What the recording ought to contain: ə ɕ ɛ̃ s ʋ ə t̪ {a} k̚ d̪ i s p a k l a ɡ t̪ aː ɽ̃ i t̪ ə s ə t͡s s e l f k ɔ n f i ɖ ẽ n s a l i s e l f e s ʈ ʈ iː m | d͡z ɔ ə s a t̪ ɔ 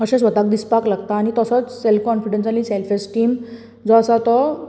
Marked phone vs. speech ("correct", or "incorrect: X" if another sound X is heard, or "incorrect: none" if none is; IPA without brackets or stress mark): correct